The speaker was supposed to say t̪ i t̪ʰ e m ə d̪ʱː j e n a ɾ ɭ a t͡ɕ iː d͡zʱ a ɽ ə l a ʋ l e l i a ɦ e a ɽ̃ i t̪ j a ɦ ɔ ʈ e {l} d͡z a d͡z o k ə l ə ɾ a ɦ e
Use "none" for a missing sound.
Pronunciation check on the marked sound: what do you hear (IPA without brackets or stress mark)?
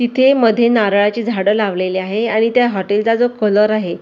l